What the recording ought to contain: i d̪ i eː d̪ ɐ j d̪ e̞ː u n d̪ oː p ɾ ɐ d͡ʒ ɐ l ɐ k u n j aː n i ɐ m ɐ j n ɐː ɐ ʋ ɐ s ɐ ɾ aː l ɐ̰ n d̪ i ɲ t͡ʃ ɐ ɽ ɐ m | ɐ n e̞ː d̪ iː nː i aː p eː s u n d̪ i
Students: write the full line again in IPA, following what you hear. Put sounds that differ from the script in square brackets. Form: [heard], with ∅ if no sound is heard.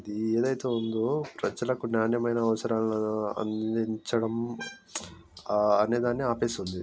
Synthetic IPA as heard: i d̪ i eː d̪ ɐ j [t̪] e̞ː u n d̪ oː p ɾ ɐ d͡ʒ ɐ l ɐ k u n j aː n [j] ɐ m ɐ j n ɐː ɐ ʋ ɐ s ɐ ɾ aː l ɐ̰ n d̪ i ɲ t͡ʃ ɐ ɽ ɐ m | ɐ n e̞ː d̪ [aː] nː i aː p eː s u n d̪ i